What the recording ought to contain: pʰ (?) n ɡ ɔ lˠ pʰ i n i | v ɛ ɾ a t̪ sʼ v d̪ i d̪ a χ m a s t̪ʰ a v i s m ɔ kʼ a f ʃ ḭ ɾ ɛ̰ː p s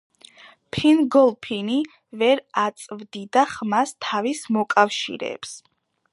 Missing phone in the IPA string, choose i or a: i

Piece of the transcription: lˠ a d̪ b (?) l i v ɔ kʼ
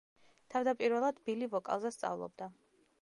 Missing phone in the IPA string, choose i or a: i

